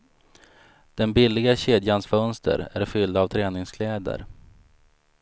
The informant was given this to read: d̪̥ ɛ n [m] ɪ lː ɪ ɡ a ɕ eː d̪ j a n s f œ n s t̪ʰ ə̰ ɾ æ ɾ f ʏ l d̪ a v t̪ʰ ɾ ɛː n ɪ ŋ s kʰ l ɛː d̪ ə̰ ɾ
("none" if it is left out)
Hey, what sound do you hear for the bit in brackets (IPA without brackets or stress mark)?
b